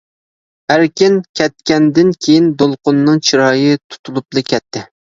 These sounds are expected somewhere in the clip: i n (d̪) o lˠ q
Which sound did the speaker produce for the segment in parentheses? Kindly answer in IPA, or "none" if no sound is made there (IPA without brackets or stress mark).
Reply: d̪